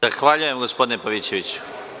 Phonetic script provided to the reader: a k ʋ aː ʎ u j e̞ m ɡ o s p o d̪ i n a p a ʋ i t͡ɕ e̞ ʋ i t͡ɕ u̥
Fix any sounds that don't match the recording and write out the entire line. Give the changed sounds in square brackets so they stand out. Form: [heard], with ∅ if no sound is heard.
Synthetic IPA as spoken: a [x] ʋ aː ʎ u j e̞ m ɡ o s p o d̪ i n [e] p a ʋ i t͡ɕ e̞ ʋ i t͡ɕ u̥